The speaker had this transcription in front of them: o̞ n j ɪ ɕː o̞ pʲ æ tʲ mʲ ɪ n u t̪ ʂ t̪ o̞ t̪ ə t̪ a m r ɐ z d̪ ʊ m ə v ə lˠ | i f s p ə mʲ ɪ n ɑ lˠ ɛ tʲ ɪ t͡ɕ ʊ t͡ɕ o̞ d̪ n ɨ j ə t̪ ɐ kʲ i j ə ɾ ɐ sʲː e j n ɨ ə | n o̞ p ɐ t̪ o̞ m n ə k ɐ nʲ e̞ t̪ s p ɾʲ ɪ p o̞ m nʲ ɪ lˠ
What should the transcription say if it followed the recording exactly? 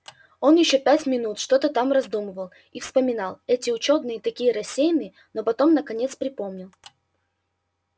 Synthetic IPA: o̞ n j ɪ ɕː o̞ pʲ æ tʲ mʲ ɪ n u t̪ ʂ t̪ o̞ t̪ ə t̪ a m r ɐ z d̪ u m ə v ə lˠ | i f s p ə mʲ ɪ n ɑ lˠ ɛ tʲ ɪ ʊ t͡ɕ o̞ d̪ n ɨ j ə t̪ ɐ kʲ i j ə ɾ ɐ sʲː e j n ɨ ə | n o̞ p ɐ t̪ o̞ m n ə k ɐ nʲ e̞ t̪ s p ɾʲ ɪ p o̞ m nʲ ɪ lˠ